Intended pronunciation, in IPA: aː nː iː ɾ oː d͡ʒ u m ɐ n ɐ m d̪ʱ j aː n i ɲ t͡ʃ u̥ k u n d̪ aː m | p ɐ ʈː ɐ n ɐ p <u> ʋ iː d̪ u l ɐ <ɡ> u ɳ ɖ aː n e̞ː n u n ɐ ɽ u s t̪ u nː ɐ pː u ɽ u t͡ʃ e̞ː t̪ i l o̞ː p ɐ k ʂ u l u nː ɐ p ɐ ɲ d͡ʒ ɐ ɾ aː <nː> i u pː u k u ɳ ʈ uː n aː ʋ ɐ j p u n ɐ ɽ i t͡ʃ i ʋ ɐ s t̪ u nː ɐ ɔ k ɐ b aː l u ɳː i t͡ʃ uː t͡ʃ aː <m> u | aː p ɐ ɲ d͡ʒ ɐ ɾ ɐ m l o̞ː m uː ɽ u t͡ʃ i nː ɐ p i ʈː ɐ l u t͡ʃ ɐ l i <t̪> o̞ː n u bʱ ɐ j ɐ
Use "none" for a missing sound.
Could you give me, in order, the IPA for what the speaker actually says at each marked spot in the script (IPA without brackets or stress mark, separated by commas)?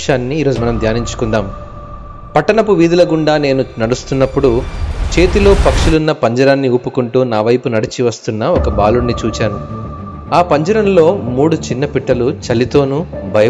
u, ɡ, nː, n, t̪